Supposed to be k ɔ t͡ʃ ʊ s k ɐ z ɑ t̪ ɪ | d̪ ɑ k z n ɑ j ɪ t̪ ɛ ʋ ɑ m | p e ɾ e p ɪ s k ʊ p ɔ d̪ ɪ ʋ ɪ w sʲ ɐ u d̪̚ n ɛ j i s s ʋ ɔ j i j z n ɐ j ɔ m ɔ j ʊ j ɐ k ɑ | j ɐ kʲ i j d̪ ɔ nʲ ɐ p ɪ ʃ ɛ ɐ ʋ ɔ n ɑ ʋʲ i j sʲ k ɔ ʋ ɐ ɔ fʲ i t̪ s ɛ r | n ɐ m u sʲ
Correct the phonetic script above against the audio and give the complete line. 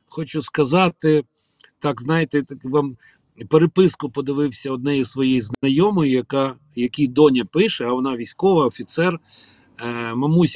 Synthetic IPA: x ɔ t͡ʃ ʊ s k ɐ z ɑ t̪ ɪ | t̪ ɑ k z n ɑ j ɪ t̪ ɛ ʋ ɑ m | p e ɾ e p ɪ s k ʊ p ɔ d̪ ɪ ʋ ɪ w sʲ ɐ ɔ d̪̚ n ɛ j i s s ʋ ɔ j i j z n ɐ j ɔ m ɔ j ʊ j ɐ k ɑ | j ɐ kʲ i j d̪ ɔ nʲ ɐ p ɪ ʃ ɛ ɐ ʋ ɔ n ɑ ʋʲ i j sʲ k ɔ ʋ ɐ ɔ fʲ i t̪ s ɛ r | m ɐ m u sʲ